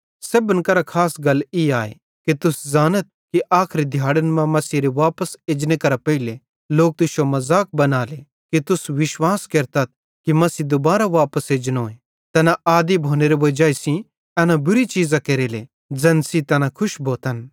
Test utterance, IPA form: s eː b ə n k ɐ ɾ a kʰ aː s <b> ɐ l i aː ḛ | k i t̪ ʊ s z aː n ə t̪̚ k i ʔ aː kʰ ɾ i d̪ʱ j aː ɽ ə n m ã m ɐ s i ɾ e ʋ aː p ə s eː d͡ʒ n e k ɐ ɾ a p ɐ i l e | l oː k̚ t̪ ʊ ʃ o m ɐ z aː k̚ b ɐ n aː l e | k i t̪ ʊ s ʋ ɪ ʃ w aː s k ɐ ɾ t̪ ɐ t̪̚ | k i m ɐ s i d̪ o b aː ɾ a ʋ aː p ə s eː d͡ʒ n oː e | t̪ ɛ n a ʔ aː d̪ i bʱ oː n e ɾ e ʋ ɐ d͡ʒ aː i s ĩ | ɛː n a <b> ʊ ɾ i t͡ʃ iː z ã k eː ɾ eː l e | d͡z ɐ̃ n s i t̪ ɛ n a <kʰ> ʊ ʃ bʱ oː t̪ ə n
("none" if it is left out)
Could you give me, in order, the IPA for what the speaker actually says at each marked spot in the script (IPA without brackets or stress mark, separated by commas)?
ɡ, b, kʰ